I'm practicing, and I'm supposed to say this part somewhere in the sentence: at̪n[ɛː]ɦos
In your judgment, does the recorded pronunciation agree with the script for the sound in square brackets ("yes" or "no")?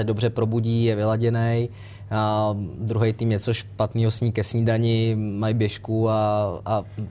no